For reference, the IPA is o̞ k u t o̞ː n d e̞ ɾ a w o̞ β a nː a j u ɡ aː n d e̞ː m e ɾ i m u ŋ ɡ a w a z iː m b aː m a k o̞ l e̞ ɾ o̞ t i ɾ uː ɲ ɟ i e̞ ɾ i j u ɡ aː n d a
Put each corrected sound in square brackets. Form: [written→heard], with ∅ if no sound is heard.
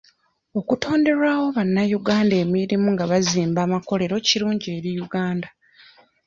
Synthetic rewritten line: o̞ k u t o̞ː n d e̞ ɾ a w o̞ β a nː a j u ɡ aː n d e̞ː m [e→i] ɾ i m u ŋ ɡ a [w→β] a z iː m b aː m a k o̞ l e̞ ɾ o̞ [t→c] i ɾ uː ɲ ɟ i e̞ ɾ i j u ɡ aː n d a